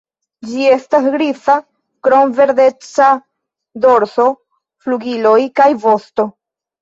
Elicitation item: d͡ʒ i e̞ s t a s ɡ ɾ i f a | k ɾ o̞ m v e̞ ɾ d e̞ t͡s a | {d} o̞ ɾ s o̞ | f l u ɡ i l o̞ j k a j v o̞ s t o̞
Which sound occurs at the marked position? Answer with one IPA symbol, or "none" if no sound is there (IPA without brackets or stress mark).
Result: d